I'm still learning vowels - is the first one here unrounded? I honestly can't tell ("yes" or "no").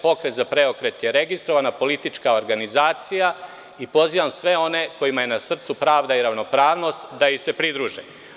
no